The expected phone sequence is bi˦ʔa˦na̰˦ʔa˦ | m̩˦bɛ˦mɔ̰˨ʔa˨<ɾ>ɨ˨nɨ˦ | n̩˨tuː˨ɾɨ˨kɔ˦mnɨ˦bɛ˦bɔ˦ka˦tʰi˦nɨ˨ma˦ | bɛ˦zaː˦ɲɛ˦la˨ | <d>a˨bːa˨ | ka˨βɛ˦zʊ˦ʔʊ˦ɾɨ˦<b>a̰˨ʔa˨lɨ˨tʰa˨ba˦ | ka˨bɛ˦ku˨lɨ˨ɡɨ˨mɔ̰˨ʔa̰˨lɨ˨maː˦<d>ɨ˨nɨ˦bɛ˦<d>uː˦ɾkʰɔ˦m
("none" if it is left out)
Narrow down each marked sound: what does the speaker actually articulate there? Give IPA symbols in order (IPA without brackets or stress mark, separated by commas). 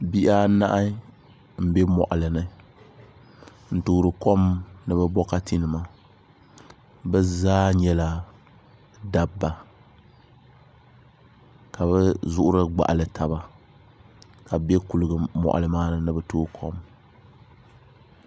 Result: l, d, ɡ͡b, n, t